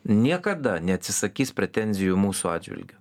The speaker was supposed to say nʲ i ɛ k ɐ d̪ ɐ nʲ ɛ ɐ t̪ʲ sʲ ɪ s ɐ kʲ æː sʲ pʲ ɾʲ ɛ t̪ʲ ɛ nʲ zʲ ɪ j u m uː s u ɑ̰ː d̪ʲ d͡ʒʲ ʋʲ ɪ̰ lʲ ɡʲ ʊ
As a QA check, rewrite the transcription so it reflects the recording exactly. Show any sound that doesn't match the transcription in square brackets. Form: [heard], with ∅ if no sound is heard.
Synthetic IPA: nʲ i ɛ k ɐ d̪ ɐ nʲ ɛ ɐ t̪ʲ sʲ ɪ s ɐ kʲ [iː] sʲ pʲ ɾʲ ɛ t̪ʲ ɛ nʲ zʲ ɪ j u m uː s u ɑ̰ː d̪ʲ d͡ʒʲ ʋʲ ɪ̰ lʲ ɡʲ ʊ